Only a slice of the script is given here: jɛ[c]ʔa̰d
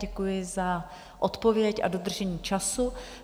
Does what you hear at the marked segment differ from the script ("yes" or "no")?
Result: no